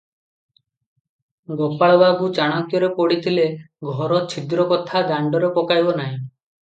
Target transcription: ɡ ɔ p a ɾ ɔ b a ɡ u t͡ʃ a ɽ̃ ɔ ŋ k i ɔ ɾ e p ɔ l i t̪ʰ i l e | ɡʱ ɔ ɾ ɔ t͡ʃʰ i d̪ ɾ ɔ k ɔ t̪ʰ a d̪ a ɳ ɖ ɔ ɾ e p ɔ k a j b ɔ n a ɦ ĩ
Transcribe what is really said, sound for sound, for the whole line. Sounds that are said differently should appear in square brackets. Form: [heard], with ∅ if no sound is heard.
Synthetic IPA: ɡ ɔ p a [ɭ] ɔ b a ɡ u t͡ʃ a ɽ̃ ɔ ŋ k [j] ɔ ɾ e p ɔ [ɽ] i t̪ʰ i l e | ɡʱ ɔ ɾ ɔ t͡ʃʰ i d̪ ɾ ɔ k ɔ t̪ʰ a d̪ a ɳ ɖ ɔ ɾ e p ɔ k a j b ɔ n a ɦ ĩ